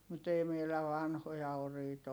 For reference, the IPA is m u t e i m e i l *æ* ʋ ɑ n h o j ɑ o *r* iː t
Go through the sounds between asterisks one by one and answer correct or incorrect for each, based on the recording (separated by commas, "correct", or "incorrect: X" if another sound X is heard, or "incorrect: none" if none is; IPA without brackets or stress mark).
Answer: correct, correct